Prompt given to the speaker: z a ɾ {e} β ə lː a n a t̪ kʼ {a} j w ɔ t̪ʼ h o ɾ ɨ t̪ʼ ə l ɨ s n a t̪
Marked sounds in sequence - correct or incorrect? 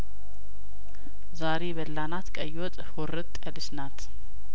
correct, incorrect

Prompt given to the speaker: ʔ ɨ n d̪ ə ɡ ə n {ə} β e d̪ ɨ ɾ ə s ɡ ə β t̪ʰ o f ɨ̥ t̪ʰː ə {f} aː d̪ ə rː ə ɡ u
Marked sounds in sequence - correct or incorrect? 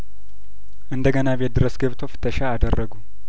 incorrect, incorrect

